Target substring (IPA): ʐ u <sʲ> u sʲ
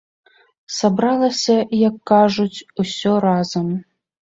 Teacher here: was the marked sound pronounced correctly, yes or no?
no